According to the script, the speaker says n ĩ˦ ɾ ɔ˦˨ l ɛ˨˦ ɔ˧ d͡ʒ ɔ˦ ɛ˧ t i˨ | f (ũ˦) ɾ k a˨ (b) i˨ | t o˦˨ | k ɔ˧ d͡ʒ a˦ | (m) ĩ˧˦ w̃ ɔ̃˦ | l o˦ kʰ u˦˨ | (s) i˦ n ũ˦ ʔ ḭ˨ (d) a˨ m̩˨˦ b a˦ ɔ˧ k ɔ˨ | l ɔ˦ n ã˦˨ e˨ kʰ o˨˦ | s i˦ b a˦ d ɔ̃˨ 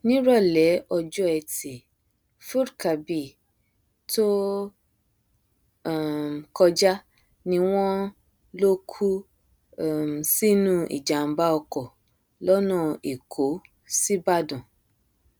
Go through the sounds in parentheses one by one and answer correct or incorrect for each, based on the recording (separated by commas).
incorrect, correct, incorrect, correct, incorrect